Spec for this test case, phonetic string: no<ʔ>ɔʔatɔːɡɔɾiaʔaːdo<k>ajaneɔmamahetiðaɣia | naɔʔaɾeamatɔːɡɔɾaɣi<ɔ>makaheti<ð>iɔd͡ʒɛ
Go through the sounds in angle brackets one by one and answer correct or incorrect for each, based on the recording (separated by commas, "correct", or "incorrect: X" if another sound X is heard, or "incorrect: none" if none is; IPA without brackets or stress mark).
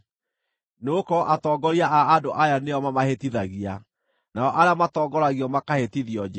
incorrect: k, incorrect: ʔ, correct, correct